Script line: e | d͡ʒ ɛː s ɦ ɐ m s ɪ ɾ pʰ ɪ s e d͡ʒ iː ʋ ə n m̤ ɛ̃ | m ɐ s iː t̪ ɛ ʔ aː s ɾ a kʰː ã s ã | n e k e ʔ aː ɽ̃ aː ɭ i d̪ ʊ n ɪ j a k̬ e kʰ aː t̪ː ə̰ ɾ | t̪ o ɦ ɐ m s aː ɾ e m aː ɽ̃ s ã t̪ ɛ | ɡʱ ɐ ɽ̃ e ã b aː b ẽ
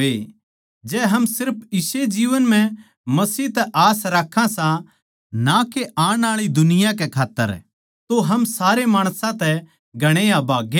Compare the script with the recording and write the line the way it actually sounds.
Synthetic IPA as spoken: e | d͡ʒ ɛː ɦ ɐ m s ɪ ɾ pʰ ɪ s e d͡ʒ iː ʋ ə n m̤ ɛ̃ | m ɐ s iː t̪ ɛ ʔ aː s ɾ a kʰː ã s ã | n a k e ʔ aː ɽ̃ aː ɭ i d̪ ʊ n ɪ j a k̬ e kʰ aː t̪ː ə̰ ɾ | t̪ o ɦ ɐ m s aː ɾ e m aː ɽ̃ s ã t̪ ɛ | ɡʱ ɐ ɽ̃ e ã b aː ɡ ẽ

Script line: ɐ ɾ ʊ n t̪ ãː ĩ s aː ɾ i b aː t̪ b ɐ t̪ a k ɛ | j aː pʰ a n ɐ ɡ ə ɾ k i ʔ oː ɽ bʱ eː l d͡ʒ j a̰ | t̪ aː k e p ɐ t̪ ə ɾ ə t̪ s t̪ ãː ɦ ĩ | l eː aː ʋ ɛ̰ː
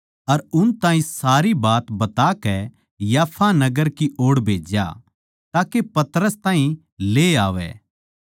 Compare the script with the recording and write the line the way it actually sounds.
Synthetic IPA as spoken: ɐ ɾ ʊ n t̪ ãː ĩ s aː ɾ i b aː t̪ b ɐ t̪ a k ɛ | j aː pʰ a n ɐ ɡ ə ɾ k i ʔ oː ɽ bʱ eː d͡ʒ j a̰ | t̪ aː k e p ɐ t̪ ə ɾ ə s t̪ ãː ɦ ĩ | l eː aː ʋ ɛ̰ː

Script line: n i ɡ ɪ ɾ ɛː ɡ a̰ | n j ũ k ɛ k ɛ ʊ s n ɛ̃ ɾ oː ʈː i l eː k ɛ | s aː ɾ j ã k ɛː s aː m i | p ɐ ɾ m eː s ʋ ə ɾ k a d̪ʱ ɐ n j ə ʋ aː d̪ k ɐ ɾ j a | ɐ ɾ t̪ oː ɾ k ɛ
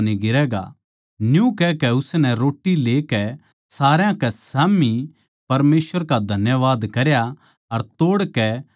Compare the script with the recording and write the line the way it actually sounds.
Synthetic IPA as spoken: n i ɡ ɪ ɾ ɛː ɡ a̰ | n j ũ k ɛ k ɛ ʊ s n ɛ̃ ɾ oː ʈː i l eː k ɛ | s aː ɾ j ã k ɛ s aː m i | p ɐ ɾ m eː s ʋ ə ɾ k a d̪ʱ ɐ n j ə ʋ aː d̪ k ɐ ɾ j a | ɐ ɾ t̪ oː ɽ k ɛ

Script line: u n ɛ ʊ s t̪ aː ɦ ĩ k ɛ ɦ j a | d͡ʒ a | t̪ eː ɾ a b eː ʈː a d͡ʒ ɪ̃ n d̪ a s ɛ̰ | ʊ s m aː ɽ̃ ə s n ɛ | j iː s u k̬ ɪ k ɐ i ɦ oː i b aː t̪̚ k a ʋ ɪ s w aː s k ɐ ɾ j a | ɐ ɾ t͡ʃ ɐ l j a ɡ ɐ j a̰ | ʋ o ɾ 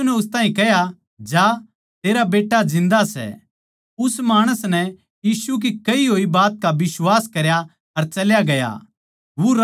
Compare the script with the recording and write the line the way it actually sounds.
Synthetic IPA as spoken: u n ɛ ʊ s t̪ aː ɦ ĩ k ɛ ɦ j a | d͡ʒ a | t̪ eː ɾ a b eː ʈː a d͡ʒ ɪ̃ n d̪ a s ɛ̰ | ʊ s m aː ɽ̃ ə s n ɛ | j iː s u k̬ i k ɐ i ɦ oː i b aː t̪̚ k a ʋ ɪ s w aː s k ɐ ɾ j a | ɐ ɾ t͡ʃ ɐ l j a ɡ ɐ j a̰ | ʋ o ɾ

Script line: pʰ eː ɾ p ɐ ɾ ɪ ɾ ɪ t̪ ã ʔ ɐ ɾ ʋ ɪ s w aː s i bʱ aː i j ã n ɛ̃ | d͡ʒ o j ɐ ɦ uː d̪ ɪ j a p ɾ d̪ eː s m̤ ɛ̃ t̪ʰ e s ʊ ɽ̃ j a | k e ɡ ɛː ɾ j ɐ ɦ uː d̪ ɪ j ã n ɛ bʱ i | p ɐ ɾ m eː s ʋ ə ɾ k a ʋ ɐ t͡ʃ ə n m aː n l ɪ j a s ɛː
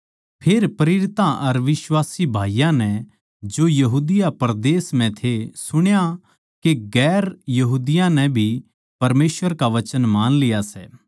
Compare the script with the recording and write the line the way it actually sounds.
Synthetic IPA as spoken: pʰ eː ɾ p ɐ ɾ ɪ ɾ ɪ t̪ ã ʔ ɐ ɾ ʋ ɪ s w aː s i bʱ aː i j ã n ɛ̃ | d͡ʒ o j ɐ ɦ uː d̪ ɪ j a p ɾ d̪ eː s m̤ ɛ̃ t̪ʰ e s ʊ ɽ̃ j a | k e ɡ ɛː ɾ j ɐ ɦ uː d̪ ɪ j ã n ɛ bʱ i | p ɐ ɾ m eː s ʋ ə ɾ k a ʋ ɐ t͡ʃ ə n m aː n l ɪ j a s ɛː

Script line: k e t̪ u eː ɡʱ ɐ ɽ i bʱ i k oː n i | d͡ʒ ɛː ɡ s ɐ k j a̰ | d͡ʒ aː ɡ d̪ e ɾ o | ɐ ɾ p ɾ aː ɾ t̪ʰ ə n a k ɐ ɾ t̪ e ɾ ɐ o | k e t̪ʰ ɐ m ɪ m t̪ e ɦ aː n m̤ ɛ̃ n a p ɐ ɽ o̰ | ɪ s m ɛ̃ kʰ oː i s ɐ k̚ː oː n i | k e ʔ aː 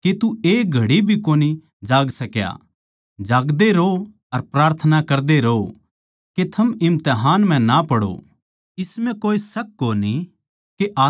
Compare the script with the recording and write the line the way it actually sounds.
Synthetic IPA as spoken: k e t̪ u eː ɡʱ ɐ ɽ i bʱ i k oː n i | d͡ʒ aː ɡ s ɐ k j a̰ | d͡ʒ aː ɡ d̪ e ɾ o | ɐ ɾ p ɾ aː ɾ t̪ʰ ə n a k ɐ ɾ d̪ e ɾ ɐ o | k e t̪ʰ ɐ m ɪ m t̪ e ɦ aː n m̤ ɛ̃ n a p ɐ ɽ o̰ | ɪ s m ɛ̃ k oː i s ɐ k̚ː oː n i | k e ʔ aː

